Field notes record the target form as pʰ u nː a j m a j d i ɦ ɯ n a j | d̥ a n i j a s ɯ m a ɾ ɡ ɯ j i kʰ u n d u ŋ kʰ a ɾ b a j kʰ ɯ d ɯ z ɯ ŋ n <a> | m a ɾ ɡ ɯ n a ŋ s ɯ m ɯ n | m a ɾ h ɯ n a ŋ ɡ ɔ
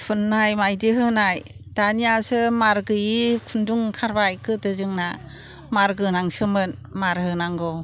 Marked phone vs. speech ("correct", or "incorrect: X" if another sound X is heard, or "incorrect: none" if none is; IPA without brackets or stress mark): correct